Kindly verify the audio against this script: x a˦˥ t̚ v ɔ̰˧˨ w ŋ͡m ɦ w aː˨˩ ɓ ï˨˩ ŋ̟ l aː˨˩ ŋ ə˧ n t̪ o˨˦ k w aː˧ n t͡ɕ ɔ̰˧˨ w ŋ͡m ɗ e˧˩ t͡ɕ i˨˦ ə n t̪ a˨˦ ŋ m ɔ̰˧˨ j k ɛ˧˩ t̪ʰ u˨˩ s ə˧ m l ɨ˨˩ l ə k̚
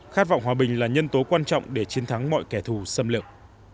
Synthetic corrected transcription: x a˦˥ t̚ v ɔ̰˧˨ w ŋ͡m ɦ w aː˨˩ ɓ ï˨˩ ŋ̟ l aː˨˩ ɲ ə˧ n t̪ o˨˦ k w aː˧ n t͡ɕ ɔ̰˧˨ w ŋ͡m ɗ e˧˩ t͡ɕ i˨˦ ə n t̪ʰ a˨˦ ŋ m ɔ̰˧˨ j k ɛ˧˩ t̪ʰ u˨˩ s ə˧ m l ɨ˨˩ ə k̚